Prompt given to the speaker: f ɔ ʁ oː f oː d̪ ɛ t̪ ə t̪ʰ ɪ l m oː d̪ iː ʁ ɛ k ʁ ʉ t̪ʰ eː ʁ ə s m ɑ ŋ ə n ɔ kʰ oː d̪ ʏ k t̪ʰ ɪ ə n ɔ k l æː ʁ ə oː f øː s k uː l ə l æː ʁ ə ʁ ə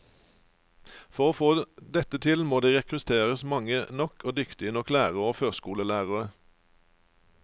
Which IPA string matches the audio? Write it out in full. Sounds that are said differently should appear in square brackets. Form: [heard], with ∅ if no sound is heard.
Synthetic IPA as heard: f ɔ ʁ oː f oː d̪ ɛ t̪ ə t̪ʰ ɪ l m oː d̪ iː ʁ ɛ k ʁ ʉ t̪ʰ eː ʁ ə s m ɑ ŋ ə n ɔ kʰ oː d̪ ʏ k [t̪] ɪ ə n ɔ k l æː ʁ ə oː f øː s k uː l ə l æː ʁ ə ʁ ə